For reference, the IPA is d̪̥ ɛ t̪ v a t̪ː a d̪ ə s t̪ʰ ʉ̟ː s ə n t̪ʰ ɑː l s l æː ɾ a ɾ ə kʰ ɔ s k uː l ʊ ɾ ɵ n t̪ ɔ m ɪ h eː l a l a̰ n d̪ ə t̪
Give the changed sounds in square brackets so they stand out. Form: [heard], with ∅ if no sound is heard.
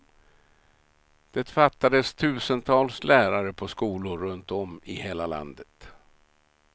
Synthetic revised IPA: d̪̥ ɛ t̪ [f] a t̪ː a d̪ ə s t̪ʰ ʉ̟ː s ə n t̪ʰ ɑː l s l æː ɾ a ɾ ə [pʰ] ɔ s k uː l ʊ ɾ ɵ n t̪ ɔ m ɪ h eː l a l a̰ n d̪ ə t̪